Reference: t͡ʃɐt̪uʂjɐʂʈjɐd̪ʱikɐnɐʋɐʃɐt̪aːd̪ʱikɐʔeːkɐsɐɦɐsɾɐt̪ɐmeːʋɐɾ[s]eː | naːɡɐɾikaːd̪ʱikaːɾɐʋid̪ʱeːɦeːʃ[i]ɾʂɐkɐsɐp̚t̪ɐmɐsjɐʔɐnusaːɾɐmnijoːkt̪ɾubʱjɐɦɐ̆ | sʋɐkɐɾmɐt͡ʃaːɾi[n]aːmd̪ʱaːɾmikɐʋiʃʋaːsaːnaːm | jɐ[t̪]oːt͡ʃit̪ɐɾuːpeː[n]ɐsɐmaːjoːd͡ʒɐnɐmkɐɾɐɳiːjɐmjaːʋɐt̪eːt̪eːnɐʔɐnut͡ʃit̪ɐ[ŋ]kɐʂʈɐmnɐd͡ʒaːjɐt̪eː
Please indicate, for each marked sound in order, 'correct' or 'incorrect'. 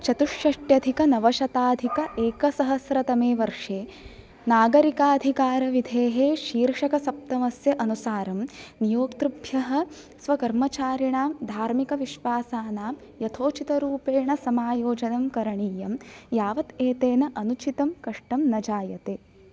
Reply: incorrect, incorrect, incorrect, incorrect, incorrect, incorrect

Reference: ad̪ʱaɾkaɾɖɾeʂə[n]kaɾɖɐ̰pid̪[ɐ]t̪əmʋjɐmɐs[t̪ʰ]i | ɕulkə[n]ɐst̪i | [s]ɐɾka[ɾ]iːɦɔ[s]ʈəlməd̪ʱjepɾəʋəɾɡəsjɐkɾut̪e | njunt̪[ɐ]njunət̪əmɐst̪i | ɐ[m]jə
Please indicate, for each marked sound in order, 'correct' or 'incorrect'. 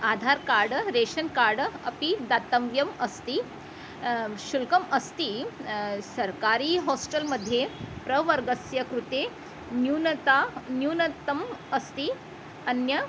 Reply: correct, incorrect, incorrect, incorrect, correct, correct, correct, incorrect, incorrect

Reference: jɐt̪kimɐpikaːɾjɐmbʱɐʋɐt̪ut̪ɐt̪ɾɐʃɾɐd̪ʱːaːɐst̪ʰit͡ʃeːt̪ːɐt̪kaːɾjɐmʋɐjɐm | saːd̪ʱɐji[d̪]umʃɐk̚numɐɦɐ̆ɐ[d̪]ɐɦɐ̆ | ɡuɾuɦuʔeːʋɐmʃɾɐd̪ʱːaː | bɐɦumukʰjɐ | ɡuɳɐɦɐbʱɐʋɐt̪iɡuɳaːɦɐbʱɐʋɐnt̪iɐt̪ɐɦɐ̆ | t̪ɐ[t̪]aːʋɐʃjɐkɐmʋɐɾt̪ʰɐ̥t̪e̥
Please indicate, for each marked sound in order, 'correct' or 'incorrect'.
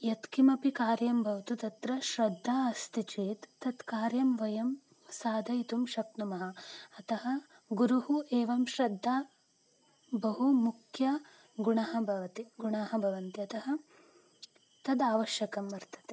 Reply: incorrect, incorrect, incorrect

